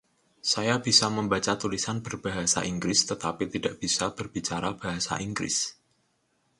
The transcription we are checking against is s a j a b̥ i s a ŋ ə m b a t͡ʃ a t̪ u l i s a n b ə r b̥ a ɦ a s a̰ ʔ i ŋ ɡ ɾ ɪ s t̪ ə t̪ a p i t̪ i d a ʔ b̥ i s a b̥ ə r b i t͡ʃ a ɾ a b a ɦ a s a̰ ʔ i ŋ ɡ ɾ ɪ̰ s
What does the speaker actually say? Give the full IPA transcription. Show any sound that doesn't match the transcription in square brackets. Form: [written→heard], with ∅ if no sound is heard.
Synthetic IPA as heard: s a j a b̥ i s a [ŋ→m] ə m b a t͡ʃ a t̪ u l i s a n b ə r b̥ a ɦ a s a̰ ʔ i ŋ ɡ ɾ ɪ s t̪ ə t̪ a p i t̪ i d a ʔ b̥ i s a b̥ ə r b i t͡ʃ a ɾ a b a ɦ a s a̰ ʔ i ŋ ɡ ɾ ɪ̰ s